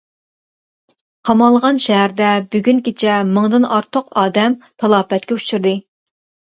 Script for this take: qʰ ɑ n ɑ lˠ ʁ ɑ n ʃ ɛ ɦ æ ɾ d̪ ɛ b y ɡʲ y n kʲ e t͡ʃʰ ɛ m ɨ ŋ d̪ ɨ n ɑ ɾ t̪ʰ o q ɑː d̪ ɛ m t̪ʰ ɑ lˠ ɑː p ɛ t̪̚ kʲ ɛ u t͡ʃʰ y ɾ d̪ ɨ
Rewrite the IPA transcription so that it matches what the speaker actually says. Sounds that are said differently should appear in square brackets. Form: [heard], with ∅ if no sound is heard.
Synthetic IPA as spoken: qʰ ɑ [m] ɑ lˠ ʁ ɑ n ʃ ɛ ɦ æ ɾ d̪ ɛ b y ɡʲ y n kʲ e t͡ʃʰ ɛ m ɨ ŋ d̪ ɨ n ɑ ɾ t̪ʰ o q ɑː d̪ ɛ m t̪ʰ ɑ lˠ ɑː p ɛ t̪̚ kʲ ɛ u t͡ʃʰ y ɾ d̪ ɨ

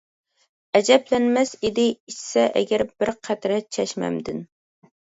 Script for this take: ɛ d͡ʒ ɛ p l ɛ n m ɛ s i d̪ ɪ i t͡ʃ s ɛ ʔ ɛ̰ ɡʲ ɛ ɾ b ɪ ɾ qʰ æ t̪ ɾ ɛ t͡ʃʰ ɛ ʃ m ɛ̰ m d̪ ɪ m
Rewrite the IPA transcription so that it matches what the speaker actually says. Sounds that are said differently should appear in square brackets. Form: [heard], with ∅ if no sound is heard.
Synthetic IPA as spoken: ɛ d͡ʒ ɛ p l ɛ n m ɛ s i d̪ ɪ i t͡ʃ s ɛ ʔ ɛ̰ ɡʲ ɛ ɾ b ɪ ɾ qʰ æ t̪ ɾ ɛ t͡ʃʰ ɛ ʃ m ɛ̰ m d̪ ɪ [n]

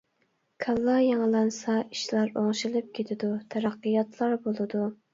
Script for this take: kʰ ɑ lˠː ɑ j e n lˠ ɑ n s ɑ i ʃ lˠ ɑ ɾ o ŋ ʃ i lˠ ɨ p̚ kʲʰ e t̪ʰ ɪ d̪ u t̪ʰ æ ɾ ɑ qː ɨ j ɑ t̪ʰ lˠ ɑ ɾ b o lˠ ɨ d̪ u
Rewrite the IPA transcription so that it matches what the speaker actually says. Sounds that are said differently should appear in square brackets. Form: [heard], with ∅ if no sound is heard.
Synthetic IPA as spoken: kʰ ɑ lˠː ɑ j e [ŋ] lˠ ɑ n s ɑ i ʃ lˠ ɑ ɾ o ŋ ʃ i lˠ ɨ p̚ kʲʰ e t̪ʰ ɪ d̪ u t̪ʰ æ ɾ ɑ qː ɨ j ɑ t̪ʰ lˠ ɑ ɾ b o lˠ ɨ d̪ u

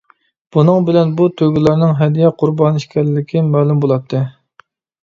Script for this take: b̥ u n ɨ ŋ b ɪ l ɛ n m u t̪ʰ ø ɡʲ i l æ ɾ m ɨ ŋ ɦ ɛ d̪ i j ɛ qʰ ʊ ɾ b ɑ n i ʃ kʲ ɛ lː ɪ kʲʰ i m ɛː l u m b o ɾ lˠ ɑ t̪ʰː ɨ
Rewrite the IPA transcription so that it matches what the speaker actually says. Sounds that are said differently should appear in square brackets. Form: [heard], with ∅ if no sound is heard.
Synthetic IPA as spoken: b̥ u n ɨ ŋ b ɪ l ɛ n [b] u t̪ʰ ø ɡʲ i l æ ɾ [n] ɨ ŋ ɦ ɛ d̪ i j ɛ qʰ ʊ ɾ b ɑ n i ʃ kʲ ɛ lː ɪ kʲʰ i m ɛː l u m b o [∅] lˠ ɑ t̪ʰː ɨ

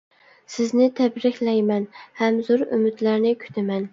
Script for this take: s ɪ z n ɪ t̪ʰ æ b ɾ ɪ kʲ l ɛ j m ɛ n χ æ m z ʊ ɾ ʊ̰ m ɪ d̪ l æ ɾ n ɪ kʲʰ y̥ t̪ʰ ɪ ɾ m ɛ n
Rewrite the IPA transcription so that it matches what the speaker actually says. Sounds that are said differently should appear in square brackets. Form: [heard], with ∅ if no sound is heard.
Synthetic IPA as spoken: s ɪ z n ɪ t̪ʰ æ b ɾ ɪ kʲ l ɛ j m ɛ n [h] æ m z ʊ ɾ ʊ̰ m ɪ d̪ l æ ɾ n ɪ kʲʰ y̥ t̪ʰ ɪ [∅] m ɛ n

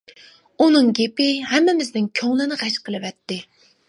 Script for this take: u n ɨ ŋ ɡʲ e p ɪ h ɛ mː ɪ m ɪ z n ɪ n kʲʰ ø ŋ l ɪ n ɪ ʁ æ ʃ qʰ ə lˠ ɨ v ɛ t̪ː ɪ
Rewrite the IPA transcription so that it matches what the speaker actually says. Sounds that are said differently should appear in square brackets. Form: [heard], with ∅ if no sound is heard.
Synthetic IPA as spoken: u n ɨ ŋ ɡʲ e p ɪ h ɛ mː ɪ m ɪ z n ɪ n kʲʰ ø ŋ l ɪ n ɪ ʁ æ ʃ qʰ ə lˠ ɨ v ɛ t̪ː ɪ

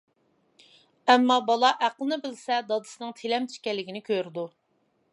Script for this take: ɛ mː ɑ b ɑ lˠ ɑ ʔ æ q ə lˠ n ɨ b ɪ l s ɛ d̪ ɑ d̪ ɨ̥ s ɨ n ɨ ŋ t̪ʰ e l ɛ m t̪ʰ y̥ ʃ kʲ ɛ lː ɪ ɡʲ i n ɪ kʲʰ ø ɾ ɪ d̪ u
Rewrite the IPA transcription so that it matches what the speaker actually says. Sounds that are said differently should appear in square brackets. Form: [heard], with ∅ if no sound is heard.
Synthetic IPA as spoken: ɛ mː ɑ b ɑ lˠ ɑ ʔ æ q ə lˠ n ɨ b ɪ l s ɛ d̪ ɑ d̪ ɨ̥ s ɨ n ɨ ŋ t̪ʰ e l ɛ m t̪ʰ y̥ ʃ kʲ ɛ lː ɪ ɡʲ i n ɪ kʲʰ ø ɾ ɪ d̪ u

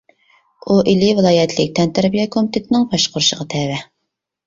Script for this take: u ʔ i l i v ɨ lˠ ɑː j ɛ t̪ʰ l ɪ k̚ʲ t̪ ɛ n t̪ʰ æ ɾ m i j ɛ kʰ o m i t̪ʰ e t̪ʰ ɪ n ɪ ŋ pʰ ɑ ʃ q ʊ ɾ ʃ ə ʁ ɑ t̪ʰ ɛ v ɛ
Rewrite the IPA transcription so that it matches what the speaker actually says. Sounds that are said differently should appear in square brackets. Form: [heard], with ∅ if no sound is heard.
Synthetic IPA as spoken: u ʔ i l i v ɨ lˠ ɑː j ɛ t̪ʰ l ɪ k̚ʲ t̪ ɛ n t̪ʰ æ ɾ [b] i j ɛ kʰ o m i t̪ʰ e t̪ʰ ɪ n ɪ ŋ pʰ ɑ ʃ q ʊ ɾ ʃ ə ʁ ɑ t̪ʰ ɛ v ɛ

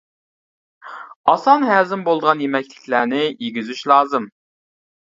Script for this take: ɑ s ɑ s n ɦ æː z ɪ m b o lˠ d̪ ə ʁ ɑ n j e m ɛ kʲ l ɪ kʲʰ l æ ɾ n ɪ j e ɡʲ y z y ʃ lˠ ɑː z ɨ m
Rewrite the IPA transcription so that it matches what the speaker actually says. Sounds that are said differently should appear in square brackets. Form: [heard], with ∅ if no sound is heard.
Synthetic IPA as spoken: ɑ s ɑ [∅] n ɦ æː z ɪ m b o lˠ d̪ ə ʁ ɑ n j e m ɛ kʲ l ɪ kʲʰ l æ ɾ n ɪ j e ɡʲ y z y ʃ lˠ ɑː z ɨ m

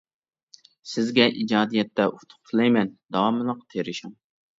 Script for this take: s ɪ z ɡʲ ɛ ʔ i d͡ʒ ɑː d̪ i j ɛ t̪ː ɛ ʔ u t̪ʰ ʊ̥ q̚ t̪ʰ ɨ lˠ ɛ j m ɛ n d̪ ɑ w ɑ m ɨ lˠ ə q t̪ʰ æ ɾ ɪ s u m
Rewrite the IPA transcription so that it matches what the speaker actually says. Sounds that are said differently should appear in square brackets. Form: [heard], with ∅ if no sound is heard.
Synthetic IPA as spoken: s ɪ z ɡʲ ɛ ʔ i d͡ʒ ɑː d̪ i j ɛ t̪ː ɛ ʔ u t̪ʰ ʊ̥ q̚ t̪ʰ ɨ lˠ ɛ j m ɛ n d̪ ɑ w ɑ m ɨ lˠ ə q t̪ʰ [e] ɾ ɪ [ʃ] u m

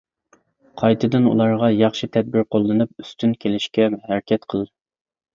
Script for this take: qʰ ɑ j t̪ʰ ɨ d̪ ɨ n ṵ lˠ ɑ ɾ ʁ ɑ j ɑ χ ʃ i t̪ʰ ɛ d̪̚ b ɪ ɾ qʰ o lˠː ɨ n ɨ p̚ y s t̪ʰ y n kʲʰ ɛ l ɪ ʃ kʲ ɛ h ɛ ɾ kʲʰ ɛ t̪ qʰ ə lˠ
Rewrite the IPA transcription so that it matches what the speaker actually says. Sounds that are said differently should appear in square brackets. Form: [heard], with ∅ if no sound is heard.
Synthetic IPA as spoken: qʰ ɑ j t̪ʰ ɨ d̪ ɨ n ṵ lˠ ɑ ɾ ʁ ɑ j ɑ χ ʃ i t̪ʰ ɛ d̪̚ b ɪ ɾ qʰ o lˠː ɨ n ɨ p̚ y s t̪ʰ y n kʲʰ [e] l ɪ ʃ kʲ ɛ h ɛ ɾ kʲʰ ɛ t̪ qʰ ə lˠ

